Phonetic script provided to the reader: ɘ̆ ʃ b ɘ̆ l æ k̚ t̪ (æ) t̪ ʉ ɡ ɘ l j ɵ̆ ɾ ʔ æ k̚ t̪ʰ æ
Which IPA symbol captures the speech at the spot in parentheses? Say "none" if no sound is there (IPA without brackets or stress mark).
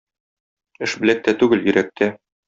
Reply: æ